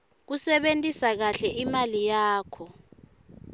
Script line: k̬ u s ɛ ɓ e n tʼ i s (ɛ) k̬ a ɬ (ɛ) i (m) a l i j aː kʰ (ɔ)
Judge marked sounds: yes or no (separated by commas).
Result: no, yes, yes, yes